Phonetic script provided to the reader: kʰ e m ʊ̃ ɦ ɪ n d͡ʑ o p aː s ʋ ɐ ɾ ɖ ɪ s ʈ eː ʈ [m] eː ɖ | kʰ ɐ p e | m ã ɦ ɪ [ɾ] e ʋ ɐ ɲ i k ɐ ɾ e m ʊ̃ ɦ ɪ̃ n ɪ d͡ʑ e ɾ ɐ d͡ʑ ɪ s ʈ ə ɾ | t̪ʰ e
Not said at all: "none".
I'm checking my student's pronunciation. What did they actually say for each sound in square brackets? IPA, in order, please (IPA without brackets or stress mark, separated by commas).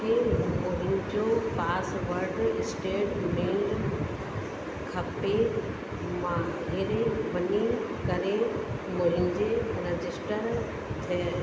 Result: m, ɾ